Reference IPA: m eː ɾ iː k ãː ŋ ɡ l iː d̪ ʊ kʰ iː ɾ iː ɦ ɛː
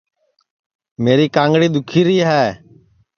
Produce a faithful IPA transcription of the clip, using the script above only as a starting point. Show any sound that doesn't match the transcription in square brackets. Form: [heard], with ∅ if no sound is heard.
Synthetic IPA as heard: m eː ɾ iː k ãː ŋ ɡ [ɽ] iː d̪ ʊ kʰ iː ɾ iː ɦ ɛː